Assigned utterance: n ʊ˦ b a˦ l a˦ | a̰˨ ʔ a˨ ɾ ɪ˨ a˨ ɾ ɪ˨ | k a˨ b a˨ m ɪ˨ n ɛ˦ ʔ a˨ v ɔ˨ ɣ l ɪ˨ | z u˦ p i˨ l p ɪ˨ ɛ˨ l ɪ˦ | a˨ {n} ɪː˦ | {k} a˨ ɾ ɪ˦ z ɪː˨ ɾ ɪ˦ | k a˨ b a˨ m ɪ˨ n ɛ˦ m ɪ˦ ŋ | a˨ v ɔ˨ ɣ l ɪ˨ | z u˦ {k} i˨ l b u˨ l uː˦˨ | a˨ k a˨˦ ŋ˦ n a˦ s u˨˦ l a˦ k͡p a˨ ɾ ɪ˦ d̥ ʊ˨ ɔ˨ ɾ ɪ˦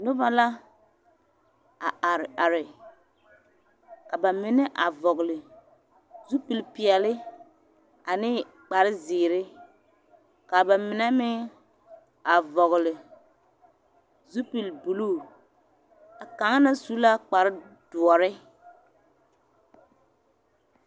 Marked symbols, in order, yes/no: yes, no, no

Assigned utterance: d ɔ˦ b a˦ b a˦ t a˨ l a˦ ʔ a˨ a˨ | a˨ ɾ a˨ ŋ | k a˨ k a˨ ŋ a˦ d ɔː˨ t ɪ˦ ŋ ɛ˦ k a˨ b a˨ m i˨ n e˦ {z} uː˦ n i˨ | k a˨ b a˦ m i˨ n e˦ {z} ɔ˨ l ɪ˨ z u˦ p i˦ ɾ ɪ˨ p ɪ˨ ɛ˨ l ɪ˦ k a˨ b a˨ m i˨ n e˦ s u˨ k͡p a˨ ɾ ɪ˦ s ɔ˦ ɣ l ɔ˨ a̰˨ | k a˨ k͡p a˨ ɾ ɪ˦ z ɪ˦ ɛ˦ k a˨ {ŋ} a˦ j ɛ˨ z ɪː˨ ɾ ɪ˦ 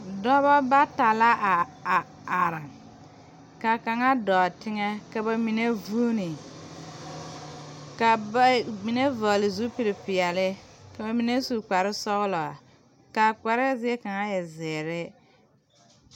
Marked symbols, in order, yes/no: no, no, yes

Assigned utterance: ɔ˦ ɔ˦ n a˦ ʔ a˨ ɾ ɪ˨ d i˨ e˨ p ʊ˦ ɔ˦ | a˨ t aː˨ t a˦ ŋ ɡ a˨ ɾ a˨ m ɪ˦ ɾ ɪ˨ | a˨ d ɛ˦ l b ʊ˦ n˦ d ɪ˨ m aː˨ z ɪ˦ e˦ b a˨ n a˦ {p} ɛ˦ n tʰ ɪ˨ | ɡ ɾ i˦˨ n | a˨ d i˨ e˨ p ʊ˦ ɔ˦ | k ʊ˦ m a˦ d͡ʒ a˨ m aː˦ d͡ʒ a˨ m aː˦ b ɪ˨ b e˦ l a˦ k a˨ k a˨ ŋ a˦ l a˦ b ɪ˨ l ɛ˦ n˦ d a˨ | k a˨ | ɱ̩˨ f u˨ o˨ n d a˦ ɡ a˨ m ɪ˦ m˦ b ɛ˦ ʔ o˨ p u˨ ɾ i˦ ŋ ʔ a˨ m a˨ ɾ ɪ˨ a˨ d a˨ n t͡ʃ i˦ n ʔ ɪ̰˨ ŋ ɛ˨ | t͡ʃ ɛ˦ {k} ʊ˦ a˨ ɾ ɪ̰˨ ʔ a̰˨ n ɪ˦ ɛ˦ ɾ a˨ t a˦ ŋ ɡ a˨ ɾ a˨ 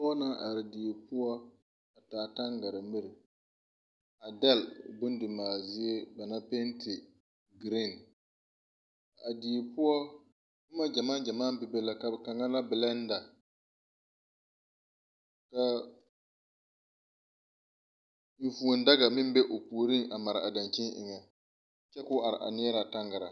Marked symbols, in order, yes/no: yes, yes

